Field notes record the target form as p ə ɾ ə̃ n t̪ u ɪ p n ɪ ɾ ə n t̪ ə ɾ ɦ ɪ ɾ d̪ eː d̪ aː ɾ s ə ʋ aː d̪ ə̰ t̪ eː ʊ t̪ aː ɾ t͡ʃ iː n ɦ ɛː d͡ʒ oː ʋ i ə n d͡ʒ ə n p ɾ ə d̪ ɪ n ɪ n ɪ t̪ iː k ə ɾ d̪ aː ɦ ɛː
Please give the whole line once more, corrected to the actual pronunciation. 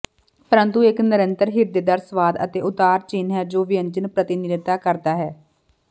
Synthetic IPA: p ə ɾ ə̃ n t̪ u ɪ k n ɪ ɾ ə n t̪ ə ɾ ɦ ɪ ɾ d̪ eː d̪ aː ɾ s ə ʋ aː d̪ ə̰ t̪ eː ʊ t̪ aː ɾ t͡ʃ iː n ɦ ɛː d͡ʒ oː ʋ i ə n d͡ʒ ə n p ɾ ə t̪ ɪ n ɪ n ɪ t̪ aː k ə ɾ d̪ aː ɦ ɛː

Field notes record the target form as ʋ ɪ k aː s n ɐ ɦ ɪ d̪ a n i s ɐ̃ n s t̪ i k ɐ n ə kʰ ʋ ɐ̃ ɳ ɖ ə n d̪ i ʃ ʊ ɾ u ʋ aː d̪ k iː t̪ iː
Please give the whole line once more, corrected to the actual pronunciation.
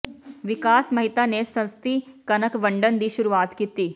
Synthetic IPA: ʋ ɪ k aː s m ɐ ɦ ɪ t̪ a n e s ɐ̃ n s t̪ i k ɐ n ə k ʋ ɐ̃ ɳ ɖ ə n d̪ i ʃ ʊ ɾ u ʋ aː t̪ k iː t̪ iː

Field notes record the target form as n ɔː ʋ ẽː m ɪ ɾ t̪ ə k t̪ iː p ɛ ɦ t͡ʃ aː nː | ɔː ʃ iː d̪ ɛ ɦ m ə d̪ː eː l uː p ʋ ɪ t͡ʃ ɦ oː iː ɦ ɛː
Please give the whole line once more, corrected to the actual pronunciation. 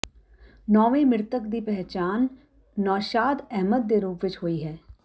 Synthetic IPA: n ɔː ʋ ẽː m ɪ ɾ t̪ ə k d̪ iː p ɛ ɦ t͡ʃ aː nː | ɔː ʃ aː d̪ ɛ ɦ m ə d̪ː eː ɾ uː p ʋ ɪ t͡ʃ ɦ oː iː ɦ ɛː

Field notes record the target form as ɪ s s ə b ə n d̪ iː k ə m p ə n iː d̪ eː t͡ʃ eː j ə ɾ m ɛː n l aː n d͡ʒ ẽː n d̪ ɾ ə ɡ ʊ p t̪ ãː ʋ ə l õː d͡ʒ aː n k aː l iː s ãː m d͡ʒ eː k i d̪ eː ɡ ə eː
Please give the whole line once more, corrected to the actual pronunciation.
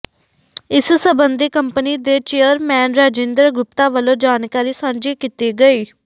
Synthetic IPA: ɪ s s ə b ə n d̪ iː k ə m p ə n iː d̪ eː t͡ʃ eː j ə ɾ m ɛː n ɾ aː d͡ʒ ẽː n d̪ ɾ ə ɡ ʊ p t̪ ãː ʋ ə l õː d͡ʒ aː n k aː ɾ iː s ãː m d͡ʒ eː k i t̪ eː ɡ ə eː

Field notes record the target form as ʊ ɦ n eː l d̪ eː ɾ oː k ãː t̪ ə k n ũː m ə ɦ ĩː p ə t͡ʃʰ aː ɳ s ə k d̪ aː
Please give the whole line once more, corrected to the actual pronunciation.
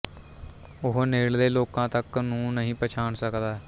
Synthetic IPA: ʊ ɦ n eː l d̪ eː l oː k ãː t̪ ə k n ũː n ə ɦ ĩː p ə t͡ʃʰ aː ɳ s ə k d̪ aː

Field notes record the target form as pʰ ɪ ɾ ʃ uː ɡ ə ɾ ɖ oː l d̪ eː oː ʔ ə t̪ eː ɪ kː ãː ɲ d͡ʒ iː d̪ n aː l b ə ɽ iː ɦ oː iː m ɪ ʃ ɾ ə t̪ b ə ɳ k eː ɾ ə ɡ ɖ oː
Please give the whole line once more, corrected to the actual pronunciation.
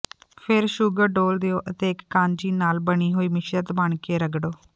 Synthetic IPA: pʰ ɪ ɾ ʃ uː ɡ ə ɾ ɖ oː l d̪ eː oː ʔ ə t̪ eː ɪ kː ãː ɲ d͡ʒ iː n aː l b ə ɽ iː ɦ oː iː m ɪ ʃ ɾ ə t̪ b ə ɳ k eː ɾ ə ɡ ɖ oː

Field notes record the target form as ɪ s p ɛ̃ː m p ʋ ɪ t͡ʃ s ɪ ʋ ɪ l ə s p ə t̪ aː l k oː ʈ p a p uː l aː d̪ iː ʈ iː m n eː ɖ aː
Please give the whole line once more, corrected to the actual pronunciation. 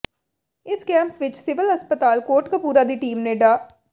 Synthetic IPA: ɪ s k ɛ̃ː m p ʋ ɪ t͡ʃ s ɪ ʋ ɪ l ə s p ə t̪ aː l k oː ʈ k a p uː ɾ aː d̪ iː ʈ iː m n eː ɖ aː

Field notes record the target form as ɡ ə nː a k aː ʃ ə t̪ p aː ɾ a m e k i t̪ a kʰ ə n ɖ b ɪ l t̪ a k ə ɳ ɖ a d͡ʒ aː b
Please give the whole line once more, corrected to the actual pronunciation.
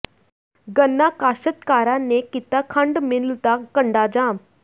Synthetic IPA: ɡ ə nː a k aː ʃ ə t̪ k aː ɾ a n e k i t̪ a kʰ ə ɳ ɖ m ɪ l t̪ a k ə ɳ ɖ a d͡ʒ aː m

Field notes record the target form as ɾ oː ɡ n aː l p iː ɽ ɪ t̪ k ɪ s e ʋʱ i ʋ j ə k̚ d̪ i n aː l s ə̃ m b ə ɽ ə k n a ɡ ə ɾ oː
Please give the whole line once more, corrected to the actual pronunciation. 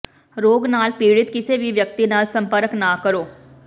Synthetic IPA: ɾ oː ɡ n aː l p iː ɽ ɪ t̪ k ɪ s e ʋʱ i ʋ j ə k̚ t̪ i n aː l s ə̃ m p ə ɾ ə k n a k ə ɾ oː

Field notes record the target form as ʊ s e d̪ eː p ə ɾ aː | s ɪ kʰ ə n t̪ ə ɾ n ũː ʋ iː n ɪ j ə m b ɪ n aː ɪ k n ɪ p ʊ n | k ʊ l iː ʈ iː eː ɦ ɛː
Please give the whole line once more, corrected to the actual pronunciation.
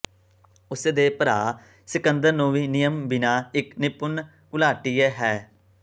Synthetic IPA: ʊ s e d̪ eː p ə ɾ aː | s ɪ k ə n d̪ ə ɾ n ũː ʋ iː n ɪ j ə m b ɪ n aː ɪ k n ɪ p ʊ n | k ʊ l aː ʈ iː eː ɦ ɛː

